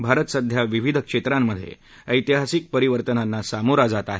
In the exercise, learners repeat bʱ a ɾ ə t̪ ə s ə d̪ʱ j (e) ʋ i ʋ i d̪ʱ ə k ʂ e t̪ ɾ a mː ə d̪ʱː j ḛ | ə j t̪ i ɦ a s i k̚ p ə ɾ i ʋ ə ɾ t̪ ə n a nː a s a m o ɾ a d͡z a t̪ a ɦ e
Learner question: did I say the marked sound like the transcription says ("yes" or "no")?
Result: no